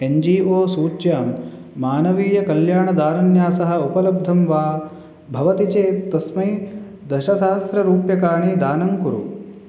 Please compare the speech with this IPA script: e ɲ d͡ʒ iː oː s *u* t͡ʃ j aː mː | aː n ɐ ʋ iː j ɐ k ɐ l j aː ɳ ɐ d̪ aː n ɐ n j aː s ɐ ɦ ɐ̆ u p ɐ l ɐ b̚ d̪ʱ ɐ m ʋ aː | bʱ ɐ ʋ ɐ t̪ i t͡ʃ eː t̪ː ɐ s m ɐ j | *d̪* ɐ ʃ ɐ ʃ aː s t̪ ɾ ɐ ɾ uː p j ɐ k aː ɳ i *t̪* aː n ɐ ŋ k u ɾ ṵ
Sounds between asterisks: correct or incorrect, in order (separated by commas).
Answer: incorrect, correct, incorrect